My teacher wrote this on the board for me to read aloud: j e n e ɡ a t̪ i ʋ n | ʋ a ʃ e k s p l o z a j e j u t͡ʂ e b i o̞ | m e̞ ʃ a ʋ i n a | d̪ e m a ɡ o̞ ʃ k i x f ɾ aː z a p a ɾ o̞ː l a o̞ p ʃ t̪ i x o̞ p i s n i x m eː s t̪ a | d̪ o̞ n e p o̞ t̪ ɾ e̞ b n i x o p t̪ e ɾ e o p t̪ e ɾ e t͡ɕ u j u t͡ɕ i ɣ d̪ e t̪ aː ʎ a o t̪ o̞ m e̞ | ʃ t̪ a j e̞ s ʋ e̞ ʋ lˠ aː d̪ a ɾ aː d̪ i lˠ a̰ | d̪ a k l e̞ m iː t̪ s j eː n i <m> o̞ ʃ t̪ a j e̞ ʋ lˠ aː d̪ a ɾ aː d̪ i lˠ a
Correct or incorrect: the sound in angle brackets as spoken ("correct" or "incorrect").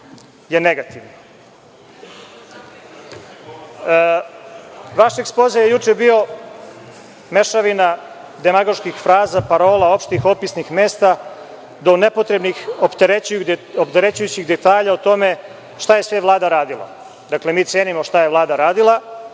correct